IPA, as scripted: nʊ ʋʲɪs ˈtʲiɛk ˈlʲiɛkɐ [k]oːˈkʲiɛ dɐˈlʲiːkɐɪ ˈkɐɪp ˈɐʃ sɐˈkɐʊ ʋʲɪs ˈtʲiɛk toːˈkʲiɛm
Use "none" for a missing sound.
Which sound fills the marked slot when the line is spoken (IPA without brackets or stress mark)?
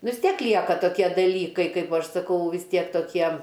t